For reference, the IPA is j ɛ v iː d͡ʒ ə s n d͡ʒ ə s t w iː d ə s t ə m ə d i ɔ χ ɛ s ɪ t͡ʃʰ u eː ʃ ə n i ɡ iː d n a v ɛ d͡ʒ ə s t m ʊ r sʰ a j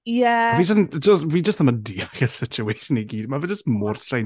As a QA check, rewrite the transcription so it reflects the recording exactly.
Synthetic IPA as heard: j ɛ v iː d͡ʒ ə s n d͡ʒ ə s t v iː d͡ʒ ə s t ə m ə d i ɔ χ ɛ s ɪ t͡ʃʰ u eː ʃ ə n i ɡ iː d m a v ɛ d͡ʒ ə s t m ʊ r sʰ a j